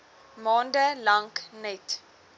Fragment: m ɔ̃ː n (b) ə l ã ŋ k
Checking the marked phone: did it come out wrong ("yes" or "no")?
yes